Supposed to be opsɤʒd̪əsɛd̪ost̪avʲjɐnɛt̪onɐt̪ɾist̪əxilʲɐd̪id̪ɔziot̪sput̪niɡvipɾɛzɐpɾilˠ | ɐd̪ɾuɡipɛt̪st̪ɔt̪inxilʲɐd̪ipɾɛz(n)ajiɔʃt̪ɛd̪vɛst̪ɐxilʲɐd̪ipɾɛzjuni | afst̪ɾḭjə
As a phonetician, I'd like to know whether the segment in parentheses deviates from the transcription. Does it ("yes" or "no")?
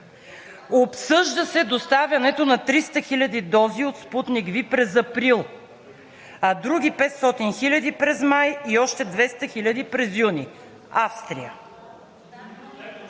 yes